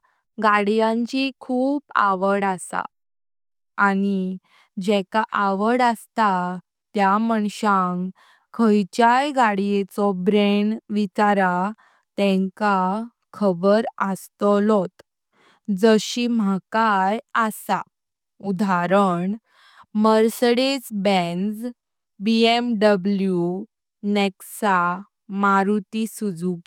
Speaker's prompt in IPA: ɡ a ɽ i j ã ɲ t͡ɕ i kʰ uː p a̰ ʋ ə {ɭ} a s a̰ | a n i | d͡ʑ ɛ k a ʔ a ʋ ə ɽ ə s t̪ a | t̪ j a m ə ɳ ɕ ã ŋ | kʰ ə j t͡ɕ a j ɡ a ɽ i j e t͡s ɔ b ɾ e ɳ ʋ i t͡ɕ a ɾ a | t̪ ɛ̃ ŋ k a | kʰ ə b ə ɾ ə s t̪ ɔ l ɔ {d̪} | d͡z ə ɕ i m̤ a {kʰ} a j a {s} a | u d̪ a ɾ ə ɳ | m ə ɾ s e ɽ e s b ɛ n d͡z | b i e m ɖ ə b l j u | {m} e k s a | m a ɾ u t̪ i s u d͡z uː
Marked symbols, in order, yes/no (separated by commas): no, no, no, yes, no